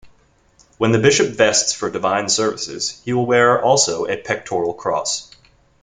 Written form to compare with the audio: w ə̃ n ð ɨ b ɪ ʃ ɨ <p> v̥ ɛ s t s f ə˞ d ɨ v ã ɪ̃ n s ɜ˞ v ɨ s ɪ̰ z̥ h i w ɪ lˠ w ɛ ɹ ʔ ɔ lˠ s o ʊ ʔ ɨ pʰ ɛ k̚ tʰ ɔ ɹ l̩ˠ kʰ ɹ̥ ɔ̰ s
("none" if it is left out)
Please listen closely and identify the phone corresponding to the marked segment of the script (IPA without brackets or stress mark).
p